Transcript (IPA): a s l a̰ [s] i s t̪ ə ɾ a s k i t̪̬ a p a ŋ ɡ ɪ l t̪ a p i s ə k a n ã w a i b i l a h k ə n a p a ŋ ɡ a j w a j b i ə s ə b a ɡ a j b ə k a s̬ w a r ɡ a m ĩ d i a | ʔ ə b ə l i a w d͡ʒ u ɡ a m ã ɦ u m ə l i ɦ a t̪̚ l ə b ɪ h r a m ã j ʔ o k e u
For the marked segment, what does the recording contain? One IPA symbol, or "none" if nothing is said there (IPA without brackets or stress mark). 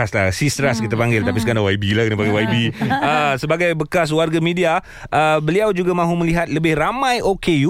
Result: s